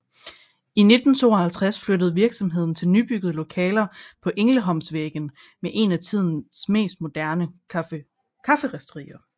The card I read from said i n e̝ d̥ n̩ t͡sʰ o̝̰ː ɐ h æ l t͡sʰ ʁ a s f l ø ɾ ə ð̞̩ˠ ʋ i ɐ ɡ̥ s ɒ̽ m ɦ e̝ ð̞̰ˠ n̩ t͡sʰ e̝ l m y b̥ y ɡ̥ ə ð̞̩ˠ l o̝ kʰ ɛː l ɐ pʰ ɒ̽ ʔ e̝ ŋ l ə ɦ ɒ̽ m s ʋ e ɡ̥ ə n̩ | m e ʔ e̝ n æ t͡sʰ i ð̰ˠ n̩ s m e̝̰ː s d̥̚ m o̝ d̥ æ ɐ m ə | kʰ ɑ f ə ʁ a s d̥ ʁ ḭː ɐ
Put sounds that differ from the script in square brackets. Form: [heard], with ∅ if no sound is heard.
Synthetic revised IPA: i n e̝ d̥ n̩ t͡sʰ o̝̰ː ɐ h æ l t͡sʰ ʁ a s f l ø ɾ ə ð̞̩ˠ ʋ i ɐ ɡ̥ s ɒ̽ m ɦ e̝ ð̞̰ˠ n̩ t͡sʰ e̝ l [n] y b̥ y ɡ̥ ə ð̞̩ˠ l o̝ kʰ ɛː l ɐ pʰ ɒ̽ ʔ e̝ ŋ l ə ɦ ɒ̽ m s ʋ e ɡ̥ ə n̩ | m e ʔ e̝ n æ t͡sʰ i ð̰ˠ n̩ s m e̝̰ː s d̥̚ m o̝ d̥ æ ɐ [n] ə | kʰ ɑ f ə ʁ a s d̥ ʁ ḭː ɐ

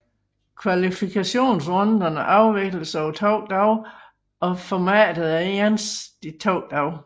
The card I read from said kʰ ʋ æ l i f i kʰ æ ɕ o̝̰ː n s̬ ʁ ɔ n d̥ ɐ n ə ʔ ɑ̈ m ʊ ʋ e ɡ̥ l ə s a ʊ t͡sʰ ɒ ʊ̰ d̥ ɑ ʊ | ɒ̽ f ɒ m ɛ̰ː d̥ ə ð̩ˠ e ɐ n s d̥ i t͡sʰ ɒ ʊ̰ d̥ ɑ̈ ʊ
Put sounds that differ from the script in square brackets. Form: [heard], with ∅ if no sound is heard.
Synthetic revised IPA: kʰ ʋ æ l i f i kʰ æ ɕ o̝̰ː n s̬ ʁ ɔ n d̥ ɐ n ə ʔ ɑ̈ [∅] ʊ ʋ e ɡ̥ l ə s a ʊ t͡sʰ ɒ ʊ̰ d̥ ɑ ʊ | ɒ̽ f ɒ m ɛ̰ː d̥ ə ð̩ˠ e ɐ n s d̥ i t͡sʰ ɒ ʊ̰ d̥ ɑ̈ ʊ

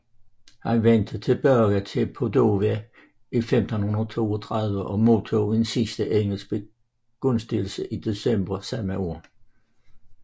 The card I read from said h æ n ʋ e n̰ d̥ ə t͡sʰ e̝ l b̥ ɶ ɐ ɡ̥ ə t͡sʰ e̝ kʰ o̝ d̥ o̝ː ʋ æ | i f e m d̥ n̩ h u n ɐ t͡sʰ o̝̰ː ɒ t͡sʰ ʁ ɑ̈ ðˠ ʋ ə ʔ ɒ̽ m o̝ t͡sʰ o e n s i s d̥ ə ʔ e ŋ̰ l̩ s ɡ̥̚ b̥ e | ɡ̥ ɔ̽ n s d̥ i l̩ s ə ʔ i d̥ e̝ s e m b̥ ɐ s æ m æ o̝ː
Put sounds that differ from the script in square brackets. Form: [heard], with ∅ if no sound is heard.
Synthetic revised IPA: h æ n ʋ e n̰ d̥ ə t͡sʰ e̝ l b̥ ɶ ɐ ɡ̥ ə t͡sʰ e̝ [pʰ] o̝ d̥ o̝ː ʋ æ | i f e m d̥ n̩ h u n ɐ t͡sʰ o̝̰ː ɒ t͡sʰ ʁ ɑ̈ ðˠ ʋ ə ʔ ɒ̽ m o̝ t͡sʰ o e n s i s d̥ ə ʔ e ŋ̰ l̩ s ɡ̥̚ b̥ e | ɡ̥ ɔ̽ n s d̥ i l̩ s ə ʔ i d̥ e̝ s e m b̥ ɐ s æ m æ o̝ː

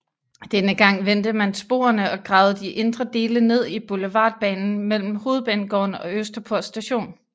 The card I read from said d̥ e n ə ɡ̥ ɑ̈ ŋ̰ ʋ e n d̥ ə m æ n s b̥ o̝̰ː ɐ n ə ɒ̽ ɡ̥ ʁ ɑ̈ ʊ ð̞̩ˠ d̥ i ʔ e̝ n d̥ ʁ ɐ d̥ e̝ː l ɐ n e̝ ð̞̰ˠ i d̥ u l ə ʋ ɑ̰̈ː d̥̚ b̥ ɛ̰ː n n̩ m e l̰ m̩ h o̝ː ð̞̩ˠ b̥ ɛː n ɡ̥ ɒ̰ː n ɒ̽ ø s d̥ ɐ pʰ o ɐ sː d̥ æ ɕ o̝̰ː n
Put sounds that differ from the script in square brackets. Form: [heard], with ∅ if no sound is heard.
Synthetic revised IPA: d̥ e n ə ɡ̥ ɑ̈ ŋ̰ ʋ e n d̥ ə m æ n s b̥ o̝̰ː ɐ n ə ɒ̽ ɡ̥ ʁ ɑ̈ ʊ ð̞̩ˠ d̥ i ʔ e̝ n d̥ ʁ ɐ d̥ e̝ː l [ə] n e̝ ð̞̰ˠ i [b̥] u l ə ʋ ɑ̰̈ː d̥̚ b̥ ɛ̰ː n n̩ m e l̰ m̩ h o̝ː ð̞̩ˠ b̥ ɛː n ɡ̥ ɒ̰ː n ɒ̽ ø s d̥ ɐ pʰ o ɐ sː d̥ æ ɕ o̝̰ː n

